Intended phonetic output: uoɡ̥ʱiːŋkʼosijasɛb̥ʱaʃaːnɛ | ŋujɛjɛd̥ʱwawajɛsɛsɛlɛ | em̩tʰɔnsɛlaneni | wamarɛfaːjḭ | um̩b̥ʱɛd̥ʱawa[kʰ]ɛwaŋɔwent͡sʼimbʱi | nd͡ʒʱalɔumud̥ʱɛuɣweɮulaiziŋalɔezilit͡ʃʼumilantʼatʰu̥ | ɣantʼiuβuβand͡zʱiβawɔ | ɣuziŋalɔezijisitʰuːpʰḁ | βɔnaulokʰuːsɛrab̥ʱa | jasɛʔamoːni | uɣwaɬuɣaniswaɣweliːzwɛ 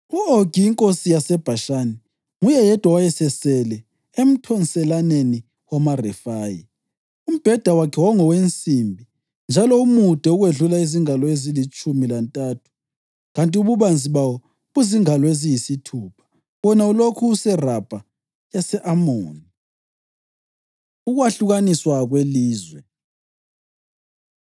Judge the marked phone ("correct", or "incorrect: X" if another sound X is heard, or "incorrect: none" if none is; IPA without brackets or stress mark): correct